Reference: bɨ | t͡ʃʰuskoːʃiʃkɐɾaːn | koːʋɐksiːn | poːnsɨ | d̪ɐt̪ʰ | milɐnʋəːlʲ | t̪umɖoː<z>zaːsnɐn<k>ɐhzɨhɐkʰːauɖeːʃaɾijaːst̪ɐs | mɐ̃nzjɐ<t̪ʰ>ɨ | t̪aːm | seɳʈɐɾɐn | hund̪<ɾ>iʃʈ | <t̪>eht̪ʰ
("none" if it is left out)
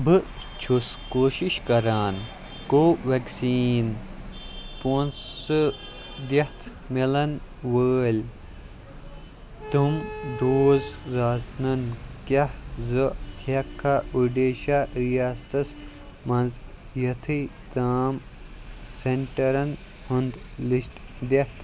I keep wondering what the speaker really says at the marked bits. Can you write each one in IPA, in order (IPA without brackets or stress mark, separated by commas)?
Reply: z, k, t̪ʰ, l, d̪